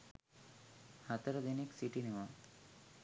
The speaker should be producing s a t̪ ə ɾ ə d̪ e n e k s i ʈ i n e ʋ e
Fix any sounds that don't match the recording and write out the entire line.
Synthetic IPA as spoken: h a t̪ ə ɾ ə d̪ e n e k s i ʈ i n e ʋ a